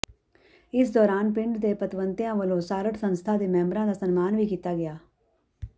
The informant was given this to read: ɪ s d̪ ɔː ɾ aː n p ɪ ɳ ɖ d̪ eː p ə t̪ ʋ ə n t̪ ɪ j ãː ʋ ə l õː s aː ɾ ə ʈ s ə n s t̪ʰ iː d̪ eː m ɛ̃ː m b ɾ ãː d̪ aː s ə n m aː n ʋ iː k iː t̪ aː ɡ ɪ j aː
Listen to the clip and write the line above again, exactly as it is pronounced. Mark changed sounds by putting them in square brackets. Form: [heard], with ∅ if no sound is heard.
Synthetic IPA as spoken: ɪ s d̪ ɔː ɾ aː n p ɪ ɳ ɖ d̪ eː p ə t̪ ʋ ə n t̪ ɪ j ãː ʋ ə l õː s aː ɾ ə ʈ s ə n s t̪ʰ [aː] d̪ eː m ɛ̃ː m b ɾ ãː d̪ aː s ə n m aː n ʋ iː k iː t̪ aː ɡ ɪ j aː